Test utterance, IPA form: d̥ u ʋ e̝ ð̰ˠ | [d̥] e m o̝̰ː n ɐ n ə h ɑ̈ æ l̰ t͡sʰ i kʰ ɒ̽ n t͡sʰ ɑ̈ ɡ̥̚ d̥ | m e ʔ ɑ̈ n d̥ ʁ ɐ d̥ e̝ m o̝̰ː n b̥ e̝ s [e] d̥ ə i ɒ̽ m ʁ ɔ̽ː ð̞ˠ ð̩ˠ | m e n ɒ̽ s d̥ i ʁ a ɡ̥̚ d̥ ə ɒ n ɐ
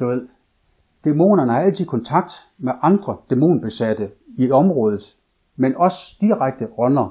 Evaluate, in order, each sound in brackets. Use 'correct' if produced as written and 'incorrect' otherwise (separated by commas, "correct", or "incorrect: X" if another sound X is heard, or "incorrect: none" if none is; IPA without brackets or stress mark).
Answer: correct, incorrect: æ